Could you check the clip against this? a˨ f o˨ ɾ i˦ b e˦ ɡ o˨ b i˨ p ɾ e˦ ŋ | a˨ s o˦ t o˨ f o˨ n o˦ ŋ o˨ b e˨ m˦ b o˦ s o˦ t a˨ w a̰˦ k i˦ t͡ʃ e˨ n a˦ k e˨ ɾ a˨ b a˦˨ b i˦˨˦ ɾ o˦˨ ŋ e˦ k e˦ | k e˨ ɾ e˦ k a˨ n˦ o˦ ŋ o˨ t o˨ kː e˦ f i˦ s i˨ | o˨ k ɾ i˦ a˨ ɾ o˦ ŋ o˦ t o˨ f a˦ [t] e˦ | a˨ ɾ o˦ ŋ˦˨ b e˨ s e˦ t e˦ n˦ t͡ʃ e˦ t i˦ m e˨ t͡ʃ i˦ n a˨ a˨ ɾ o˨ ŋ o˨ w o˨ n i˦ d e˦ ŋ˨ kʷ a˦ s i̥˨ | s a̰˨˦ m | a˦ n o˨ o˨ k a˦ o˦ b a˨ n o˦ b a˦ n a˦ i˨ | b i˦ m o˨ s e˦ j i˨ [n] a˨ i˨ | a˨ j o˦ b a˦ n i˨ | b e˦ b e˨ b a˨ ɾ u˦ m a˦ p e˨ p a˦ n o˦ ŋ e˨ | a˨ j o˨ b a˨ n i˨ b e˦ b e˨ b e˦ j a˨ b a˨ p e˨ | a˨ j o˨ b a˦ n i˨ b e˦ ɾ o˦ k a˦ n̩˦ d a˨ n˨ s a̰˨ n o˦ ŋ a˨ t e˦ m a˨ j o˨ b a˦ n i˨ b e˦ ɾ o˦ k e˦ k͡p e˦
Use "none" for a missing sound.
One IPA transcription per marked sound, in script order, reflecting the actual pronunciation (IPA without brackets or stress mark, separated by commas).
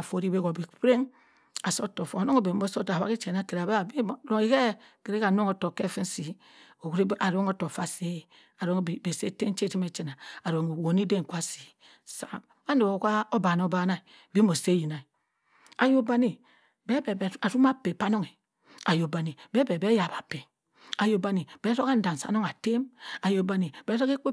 s, n